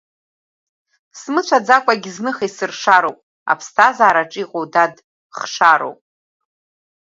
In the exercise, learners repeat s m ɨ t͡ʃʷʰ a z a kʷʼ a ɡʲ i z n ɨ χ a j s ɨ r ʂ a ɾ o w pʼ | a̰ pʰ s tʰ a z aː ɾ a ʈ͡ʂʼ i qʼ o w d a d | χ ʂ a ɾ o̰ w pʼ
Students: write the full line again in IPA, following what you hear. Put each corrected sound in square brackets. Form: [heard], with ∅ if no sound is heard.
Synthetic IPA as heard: s m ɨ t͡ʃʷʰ a [d͡z] a kʷʼ a ɡʲ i z n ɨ χ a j s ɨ r ʂ a ɾ o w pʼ | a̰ pʰ s tʰ a z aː ɾ a ʈ͡ʂʼ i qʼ o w d a d | χ ʂ a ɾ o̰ w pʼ